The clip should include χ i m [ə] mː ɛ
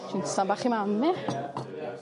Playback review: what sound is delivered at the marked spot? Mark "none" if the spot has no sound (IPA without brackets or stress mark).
a